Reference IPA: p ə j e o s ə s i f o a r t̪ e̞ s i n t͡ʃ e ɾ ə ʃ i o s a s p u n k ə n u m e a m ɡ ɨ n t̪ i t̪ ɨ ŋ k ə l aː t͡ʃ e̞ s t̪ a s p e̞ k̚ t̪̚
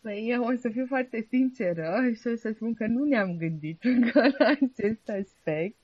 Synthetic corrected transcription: p ə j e o s ə f i f o a r t̪ e̞ s i n t͡ʃ e ɾ ə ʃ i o s ə s p u n k ə n u n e a m ɡ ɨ n d̪ i t̪ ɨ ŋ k ə l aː t͡ʃ e̞ s t̪ a s p e̞ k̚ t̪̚